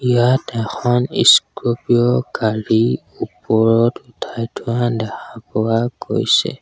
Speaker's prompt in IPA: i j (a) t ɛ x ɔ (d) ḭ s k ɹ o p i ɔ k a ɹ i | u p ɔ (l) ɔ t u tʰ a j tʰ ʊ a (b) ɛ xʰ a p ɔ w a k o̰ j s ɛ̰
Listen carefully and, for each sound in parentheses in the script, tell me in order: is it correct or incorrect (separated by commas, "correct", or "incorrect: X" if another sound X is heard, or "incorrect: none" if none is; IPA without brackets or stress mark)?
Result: correct, incorrect: n, incorrect: ɹ, incorrect: d